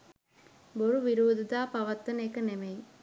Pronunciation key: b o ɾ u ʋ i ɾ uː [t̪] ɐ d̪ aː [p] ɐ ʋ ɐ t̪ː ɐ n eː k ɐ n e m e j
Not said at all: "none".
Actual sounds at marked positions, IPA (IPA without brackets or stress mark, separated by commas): d̪, p